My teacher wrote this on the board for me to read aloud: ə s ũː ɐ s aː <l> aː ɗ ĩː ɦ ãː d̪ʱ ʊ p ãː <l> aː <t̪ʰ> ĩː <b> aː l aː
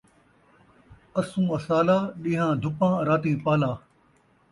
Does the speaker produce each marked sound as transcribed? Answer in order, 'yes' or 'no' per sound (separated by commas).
yes, no, no, no